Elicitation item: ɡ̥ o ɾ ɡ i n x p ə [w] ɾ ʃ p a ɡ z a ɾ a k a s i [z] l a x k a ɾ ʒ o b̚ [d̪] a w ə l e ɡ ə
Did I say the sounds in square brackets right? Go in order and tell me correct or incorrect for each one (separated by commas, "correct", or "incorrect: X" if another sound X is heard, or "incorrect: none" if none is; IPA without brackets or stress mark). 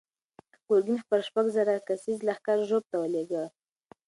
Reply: incorrect: none, correct, incorrect: t̪